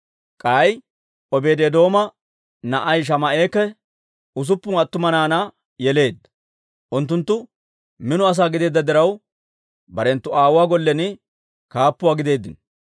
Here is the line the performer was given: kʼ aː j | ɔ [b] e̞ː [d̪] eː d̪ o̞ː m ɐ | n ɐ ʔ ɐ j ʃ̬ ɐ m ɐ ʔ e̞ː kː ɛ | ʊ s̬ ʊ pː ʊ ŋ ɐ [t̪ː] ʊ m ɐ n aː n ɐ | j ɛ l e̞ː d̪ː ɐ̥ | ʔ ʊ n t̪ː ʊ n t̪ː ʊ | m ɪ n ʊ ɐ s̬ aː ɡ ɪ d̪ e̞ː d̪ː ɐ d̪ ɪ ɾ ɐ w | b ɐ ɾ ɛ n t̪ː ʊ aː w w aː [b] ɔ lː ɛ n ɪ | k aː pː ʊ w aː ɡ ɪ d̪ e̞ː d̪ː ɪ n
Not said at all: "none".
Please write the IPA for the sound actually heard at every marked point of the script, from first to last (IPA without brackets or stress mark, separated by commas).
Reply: b, d̪, t̪ː, ɡ